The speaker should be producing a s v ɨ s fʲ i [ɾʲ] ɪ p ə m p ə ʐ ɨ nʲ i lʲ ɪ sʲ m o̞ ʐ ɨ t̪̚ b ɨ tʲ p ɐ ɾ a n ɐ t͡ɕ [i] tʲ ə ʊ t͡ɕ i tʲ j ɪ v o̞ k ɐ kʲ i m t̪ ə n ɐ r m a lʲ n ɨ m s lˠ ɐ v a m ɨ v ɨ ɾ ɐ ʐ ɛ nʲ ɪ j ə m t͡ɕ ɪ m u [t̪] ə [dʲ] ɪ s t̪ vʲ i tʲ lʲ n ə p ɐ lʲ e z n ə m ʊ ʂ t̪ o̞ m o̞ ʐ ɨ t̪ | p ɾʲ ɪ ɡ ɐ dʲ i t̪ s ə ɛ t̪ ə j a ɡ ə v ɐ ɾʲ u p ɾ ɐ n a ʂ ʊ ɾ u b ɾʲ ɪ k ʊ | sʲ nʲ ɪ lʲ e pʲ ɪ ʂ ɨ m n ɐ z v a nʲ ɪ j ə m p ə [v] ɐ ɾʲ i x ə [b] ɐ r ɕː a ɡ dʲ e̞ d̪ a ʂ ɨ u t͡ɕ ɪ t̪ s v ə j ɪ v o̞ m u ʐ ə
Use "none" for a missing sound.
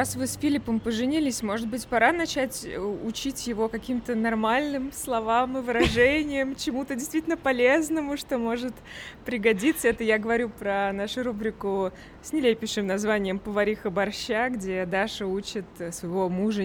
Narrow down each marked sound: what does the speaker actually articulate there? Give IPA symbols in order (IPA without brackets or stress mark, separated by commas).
lʲ, æ, t̪, dʲ, v, b